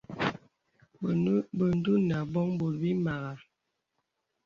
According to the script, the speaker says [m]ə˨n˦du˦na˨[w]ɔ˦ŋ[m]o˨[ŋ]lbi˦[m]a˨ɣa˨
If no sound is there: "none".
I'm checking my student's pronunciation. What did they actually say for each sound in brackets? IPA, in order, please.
b, b, b, none, m

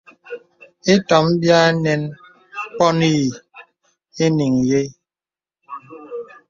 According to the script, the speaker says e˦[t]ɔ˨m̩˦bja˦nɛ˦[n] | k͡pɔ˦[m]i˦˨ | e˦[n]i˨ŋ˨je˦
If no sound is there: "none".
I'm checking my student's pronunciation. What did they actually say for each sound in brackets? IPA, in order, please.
t, n, n, n

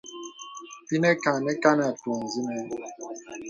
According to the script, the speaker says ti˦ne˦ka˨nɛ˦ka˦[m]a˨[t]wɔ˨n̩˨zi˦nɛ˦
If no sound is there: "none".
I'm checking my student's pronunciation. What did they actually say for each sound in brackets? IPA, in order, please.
n, t

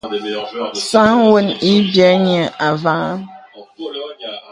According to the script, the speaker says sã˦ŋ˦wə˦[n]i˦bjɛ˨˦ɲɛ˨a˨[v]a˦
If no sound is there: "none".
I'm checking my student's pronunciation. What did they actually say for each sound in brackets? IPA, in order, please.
n, v

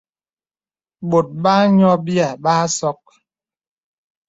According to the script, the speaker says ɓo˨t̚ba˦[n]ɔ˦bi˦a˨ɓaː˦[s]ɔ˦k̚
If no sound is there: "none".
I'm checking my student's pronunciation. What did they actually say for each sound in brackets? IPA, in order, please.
ɲ, s

